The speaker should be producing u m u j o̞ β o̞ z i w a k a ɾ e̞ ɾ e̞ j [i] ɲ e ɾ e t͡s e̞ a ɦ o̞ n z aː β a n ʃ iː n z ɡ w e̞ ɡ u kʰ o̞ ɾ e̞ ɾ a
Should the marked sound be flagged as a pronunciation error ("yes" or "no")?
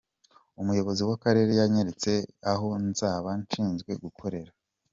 yes